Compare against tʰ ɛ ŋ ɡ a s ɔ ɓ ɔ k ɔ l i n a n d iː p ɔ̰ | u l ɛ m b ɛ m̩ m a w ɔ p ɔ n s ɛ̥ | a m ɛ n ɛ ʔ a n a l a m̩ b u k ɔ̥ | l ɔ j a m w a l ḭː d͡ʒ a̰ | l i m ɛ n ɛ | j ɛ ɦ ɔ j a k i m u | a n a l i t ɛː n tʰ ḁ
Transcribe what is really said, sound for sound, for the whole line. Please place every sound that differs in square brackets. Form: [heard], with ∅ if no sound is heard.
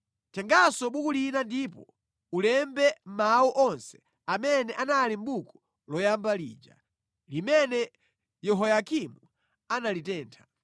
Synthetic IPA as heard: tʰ ɛ ŋ ɡ a s ɔ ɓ [u] k [u] l i n a n d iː p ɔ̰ | u l ɛ m b ɛ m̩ m a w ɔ [ʔ] ɔ n s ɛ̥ | a m ɛ n ɛ ʔ a n a l [i] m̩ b u k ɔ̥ | l ɔ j a m [b] a l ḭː d͡ʒ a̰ | l i m ɛ n ɛ | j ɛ ɦ ɔ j a k i m u | a n a l i t ɛː n tʰ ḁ